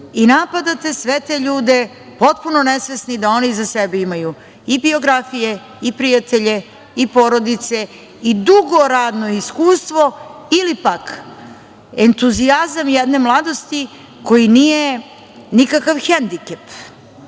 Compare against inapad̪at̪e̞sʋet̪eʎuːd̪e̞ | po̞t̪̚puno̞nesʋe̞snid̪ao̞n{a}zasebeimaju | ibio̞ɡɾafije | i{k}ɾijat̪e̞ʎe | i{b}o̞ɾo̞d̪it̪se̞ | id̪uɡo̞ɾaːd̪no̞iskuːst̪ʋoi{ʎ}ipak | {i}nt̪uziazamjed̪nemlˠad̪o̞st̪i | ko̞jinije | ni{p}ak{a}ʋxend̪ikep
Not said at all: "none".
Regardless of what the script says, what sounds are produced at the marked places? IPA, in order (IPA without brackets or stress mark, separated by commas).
i, p, p, l, e, k, a